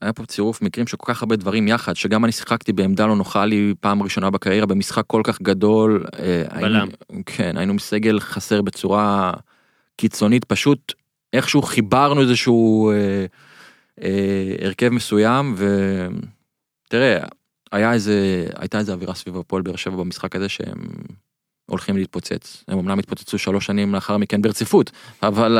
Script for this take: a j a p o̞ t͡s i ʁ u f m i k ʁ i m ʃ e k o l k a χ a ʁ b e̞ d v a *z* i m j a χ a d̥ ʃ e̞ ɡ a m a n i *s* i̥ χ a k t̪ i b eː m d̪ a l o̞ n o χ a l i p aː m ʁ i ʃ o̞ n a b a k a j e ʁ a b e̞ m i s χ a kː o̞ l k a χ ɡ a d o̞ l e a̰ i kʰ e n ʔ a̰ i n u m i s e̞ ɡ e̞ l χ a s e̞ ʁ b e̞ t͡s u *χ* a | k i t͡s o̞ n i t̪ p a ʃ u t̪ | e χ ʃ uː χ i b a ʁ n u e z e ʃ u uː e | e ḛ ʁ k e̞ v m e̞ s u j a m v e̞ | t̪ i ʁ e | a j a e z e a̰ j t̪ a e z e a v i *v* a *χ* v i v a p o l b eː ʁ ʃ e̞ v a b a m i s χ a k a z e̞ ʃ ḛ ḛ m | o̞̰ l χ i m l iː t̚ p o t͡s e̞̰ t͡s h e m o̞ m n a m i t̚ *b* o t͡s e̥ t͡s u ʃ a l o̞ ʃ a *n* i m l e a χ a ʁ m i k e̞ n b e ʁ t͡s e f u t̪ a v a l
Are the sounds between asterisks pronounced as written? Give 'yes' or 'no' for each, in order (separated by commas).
no, yes, no, no, no, no, yes